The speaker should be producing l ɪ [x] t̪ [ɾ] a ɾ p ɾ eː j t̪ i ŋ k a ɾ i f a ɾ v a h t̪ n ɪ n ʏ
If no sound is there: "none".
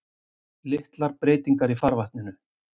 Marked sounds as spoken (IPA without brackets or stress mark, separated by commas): h, l